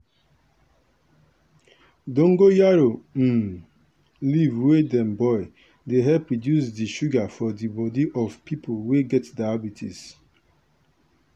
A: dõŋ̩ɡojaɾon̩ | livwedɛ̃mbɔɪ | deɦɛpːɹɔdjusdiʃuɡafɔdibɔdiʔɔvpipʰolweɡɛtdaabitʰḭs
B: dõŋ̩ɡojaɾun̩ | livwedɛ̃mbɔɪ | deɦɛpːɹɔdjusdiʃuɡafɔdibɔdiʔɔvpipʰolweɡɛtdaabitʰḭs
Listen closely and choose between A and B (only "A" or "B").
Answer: A